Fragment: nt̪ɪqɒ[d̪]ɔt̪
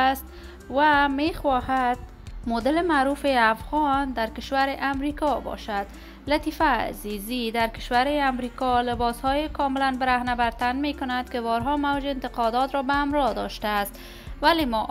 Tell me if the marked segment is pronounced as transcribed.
yes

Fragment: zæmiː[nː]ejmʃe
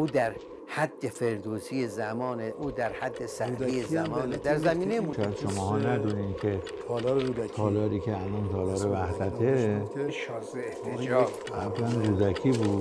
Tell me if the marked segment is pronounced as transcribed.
no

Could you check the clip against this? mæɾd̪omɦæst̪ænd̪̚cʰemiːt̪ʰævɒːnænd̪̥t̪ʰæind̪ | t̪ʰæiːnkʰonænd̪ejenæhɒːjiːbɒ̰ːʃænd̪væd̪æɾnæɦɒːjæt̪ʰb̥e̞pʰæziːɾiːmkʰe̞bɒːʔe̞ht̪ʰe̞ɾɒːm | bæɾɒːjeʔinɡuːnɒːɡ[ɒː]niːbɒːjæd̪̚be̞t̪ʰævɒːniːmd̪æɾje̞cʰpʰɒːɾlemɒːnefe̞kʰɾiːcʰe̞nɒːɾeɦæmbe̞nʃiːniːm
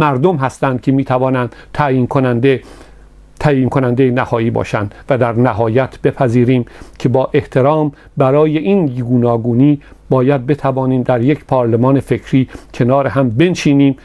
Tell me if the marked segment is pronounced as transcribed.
no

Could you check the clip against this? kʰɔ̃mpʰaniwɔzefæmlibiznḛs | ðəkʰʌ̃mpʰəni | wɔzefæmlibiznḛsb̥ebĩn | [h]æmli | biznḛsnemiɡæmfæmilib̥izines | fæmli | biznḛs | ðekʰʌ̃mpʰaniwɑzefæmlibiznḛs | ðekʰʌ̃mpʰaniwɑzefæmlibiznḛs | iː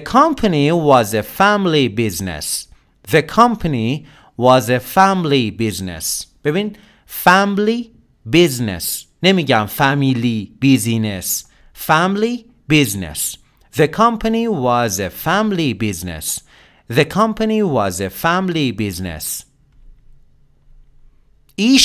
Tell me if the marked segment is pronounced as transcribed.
no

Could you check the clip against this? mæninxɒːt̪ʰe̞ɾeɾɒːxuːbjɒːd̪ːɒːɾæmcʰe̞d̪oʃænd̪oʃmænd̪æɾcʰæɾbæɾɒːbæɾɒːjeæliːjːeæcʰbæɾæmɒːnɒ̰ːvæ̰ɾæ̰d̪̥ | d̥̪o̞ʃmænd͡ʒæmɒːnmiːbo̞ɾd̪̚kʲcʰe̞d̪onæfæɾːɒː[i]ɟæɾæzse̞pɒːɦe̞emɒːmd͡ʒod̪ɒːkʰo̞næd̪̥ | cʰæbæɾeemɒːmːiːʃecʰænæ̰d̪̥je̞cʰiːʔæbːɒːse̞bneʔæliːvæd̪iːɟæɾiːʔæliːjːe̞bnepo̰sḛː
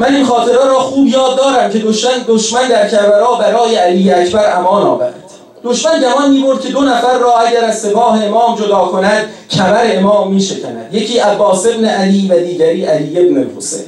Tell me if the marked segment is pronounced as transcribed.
no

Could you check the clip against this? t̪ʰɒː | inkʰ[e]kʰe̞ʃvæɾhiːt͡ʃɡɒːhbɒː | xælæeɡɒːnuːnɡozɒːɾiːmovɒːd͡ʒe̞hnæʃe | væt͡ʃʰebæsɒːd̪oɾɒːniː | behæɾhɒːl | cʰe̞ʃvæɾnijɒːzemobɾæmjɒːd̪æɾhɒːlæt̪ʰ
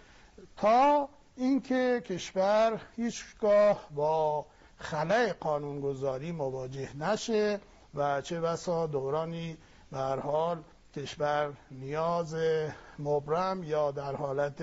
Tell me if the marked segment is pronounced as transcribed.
yes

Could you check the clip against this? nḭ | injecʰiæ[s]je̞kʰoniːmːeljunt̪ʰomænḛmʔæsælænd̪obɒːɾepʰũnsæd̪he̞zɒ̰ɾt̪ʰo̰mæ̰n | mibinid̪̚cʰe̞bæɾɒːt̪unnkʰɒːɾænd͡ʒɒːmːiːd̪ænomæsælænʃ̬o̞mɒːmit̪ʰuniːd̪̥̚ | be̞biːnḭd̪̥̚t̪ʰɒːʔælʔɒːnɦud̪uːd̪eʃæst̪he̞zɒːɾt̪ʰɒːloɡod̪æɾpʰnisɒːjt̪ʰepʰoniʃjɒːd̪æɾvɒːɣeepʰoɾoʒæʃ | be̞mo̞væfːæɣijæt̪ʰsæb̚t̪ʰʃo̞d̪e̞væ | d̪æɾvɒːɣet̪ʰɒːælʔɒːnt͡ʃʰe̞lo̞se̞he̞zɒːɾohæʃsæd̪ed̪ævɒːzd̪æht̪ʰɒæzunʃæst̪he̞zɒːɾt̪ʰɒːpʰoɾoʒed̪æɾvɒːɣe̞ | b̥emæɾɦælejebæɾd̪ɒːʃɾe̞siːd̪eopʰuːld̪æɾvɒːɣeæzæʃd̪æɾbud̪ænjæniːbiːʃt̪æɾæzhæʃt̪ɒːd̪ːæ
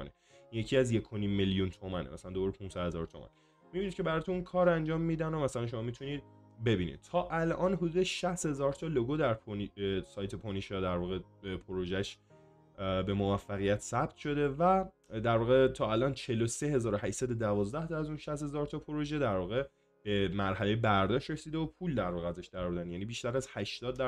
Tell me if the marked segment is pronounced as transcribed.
no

